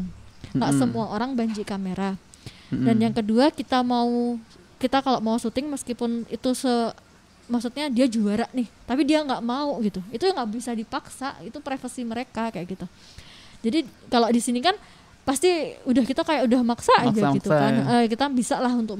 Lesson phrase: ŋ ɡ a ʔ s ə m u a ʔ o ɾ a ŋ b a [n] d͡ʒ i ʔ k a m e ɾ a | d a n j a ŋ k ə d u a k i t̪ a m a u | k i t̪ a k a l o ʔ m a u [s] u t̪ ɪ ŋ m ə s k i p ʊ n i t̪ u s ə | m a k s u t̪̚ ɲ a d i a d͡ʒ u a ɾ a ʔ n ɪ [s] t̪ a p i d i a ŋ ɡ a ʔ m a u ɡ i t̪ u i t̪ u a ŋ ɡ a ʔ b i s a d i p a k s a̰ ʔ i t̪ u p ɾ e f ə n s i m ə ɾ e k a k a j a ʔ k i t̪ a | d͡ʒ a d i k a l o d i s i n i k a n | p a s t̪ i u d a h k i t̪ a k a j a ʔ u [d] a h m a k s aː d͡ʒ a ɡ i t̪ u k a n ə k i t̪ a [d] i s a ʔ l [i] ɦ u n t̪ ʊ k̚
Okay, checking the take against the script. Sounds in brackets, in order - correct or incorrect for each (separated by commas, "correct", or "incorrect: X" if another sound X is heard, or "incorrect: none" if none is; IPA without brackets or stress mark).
incorrect: ɲ, correct, incorrect: h, correct, incorrect: b, incorrect: a